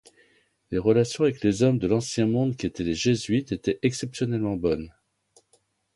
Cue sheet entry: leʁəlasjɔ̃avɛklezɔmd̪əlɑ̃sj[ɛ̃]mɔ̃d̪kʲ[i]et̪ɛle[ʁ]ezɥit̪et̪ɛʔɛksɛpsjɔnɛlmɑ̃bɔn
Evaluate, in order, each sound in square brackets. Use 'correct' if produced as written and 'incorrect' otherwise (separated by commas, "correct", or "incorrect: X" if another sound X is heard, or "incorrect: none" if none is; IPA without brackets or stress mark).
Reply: correct, correct, incorrect: ʒ